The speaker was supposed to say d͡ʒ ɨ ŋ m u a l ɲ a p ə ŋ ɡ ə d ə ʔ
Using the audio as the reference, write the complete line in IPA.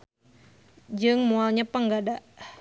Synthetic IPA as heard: d͡ʒ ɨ ŋ m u a l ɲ a p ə ŋ ɡ a d a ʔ